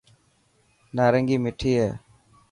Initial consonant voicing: voiced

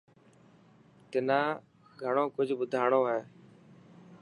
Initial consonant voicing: voiceless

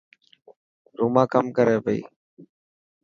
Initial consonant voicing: voiced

